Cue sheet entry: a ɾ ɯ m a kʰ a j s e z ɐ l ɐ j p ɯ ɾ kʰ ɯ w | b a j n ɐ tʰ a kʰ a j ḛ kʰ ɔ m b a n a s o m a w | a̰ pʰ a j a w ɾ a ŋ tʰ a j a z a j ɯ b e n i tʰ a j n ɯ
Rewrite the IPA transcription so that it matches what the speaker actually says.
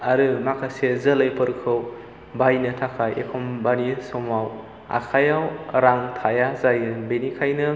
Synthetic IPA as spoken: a ɾ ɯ m a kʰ a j s e z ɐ l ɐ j p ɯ ɾ kʰ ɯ w | b a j n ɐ tʰ a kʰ a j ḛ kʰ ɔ m b a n i s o m a w | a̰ kʰ a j a w ɾ a ŋ tʰ a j a z a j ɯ b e n i kʰ a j n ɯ